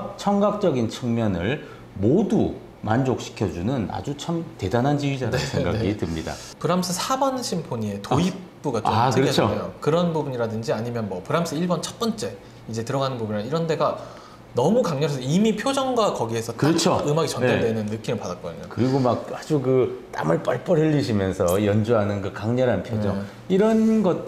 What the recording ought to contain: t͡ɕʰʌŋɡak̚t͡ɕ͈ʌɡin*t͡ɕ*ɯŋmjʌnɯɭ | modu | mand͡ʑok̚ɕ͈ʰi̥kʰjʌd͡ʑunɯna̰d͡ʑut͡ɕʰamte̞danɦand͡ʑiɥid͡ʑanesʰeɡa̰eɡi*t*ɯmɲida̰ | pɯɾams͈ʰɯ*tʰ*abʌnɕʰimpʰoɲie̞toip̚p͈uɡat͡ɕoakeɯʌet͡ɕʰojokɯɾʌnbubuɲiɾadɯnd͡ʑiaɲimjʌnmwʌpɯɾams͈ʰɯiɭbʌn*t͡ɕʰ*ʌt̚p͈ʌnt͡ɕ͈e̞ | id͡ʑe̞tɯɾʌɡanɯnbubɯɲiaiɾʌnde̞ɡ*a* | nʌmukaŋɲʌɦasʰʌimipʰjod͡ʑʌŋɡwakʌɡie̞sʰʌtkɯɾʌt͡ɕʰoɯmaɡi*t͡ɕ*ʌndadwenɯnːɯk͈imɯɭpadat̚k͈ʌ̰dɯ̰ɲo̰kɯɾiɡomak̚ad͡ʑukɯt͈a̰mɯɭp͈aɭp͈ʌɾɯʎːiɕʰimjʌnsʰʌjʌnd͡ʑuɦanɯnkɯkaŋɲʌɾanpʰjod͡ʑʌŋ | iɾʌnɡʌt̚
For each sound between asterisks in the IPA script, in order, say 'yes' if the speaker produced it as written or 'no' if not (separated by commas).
no, yes, no, yes, yes, yes